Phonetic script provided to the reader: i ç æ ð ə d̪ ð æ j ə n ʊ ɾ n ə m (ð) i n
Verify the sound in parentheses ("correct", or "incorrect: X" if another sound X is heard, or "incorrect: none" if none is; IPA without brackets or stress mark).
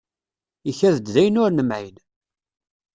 incorrect: ʕ